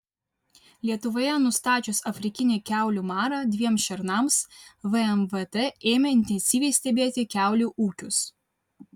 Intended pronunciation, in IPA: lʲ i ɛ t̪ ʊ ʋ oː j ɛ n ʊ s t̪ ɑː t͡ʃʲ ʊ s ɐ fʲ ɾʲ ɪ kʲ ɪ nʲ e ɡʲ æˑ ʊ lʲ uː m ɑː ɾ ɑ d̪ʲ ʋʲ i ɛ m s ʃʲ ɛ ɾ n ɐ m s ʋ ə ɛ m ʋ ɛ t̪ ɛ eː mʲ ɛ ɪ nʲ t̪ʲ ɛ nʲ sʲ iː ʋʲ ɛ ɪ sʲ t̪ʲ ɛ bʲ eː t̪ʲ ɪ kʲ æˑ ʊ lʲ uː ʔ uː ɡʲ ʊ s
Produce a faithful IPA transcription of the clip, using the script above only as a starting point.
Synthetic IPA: lʲ i ɛ t̪ ʊ ʋ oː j ɛ n ʊ s t̪ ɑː t͡ʃʲ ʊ s ɐ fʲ ɾʲ ɪ kʲ ɪ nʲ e kʲ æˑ ʊ lʲ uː m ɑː ɾ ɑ d̪ʲ ʋʲ i ɛ m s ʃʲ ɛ ɾ n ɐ m s ʋ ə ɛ m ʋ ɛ t̪ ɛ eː mʲ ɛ ɪ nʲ t̪ʲ ɛ nʲ sʲ iː ʋʲ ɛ ɪ sʲ t̪ʲ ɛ bʲ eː t̪ʲ ɪ kʲ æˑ ʊ lʲ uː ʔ uː kʲ ʊ s